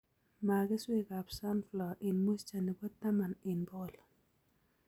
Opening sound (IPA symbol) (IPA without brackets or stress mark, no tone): m